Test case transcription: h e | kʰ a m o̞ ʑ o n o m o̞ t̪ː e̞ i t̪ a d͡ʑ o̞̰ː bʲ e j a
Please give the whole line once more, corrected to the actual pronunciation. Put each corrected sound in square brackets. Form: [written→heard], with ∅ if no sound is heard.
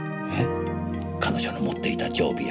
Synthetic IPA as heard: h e | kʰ a [m→n] o̞ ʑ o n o m o̞ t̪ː e̞ i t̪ a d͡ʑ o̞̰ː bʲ [e→i] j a